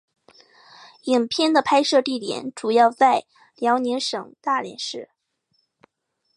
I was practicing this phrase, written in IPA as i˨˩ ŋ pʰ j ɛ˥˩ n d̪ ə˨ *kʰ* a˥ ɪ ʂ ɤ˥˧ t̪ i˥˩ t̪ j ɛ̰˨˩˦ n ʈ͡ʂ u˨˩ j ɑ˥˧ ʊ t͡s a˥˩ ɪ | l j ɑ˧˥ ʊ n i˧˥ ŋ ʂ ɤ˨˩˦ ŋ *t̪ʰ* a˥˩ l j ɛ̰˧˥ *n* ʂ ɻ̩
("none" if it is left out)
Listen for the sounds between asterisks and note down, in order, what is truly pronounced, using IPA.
pʰ, t̪, n

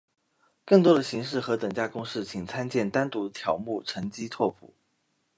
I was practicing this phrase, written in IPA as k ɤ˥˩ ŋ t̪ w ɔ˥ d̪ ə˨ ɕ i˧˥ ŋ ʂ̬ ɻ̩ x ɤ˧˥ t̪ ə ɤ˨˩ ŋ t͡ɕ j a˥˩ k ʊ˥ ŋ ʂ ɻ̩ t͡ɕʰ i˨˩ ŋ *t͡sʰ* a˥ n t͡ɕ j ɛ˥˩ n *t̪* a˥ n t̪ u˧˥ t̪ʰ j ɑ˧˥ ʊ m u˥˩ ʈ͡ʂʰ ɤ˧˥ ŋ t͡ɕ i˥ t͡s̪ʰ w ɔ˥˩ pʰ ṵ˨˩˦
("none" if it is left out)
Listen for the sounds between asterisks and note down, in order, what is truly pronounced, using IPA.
t͡sʰ, t̪

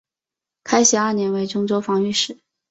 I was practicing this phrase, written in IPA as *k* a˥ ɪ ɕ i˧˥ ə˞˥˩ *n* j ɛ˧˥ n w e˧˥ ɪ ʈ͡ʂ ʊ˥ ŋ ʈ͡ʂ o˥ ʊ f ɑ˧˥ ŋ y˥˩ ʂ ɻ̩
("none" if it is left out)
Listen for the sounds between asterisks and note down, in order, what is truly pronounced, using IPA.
kʰ, n

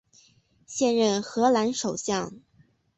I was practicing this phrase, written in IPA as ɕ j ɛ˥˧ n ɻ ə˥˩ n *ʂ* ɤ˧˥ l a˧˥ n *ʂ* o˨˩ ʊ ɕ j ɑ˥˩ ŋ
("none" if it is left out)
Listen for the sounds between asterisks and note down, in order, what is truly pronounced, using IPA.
x, ʂ

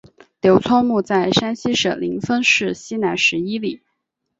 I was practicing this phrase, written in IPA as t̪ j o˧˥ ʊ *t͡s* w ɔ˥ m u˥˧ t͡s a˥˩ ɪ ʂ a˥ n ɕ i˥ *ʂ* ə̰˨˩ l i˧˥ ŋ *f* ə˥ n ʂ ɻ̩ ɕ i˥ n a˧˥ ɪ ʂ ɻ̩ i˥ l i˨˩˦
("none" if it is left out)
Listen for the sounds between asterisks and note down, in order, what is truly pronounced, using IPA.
t͡sʰ, ʂ, f

